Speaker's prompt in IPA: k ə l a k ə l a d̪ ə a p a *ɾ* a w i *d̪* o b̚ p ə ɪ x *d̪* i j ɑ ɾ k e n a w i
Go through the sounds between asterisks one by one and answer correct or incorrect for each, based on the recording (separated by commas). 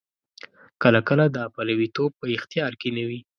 incorrect, incorrect, incorrect